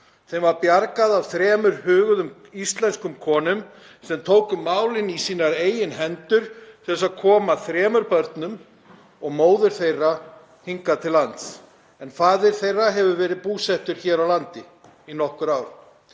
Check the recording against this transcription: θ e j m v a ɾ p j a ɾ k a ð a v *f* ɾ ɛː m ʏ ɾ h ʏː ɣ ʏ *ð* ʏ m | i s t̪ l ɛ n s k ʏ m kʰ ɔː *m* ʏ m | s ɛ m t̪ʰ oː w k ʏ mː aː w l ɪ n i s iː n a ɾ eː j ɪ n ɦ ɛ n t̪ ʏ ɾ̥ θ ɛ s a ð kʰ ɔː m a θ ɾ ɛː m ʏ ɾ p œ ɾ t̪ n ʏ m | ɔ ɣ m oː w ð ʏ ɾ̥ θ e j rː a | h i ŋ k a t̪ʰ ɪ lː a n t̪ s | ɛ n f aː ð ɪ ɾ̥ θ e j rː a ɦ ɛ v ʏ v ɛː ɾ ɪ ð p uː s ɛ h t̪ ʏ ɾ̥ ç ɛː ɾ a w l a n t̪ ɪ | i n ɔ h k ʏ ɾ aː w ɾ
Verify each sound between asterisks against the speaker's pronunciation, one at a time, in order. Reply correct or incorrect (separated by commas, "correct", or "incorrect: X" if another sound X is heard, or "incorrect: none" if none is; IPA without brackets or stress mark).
incorrect: θ, correct, incorrect: n